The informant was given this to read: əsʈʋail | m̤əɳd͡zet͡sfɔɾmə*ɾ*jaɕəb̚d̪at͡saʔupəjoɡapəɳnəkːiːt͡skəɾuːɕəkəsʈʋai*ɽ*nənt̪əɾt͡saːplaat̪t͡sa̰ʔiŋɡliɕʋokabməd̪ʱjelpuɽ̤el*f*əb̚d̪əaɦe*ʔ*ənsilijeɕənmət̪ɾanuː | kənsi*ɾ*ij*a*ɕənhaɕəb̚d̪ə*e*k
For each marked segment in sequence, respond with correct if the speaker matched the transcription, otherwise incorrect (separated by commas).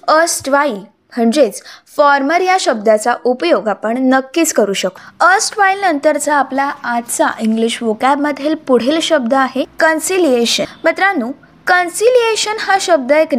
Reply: correct, incorrect, incorrect, incorrect, incorrect, incorrect, correct